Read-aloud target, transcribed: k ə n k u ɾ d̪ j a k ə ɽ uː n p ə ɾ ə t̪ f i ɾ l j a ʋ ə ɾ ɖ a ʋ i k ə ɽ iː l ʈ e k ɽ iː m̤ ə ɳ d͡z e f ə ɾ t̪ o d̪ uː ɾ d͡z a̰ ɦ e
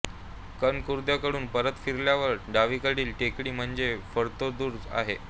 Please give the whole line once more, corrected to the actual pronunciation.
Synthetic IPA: k ə n k u ɾ d̪ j a k ə ɽ uː n p ə ɾ ə t̪ f i ɾ l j a ʋ ə ɾ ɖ a ʋ i k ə ɽ iː l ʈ e k ɽ iː m̤ ə ɳ d͡z e f ə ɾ t̪ o d̪ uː ɾ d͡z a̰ ɦ e